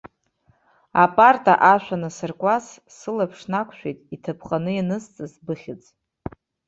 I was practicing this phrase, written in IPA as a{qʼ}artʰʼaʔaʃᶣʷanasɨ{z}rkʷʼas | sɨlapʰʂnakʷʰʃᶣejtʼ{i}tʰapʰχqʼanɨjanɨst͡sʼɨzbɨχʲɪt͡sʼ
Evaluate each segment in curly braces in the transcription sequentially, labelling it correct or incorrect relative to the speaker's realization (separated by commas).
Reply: incorrect, incorrect, correct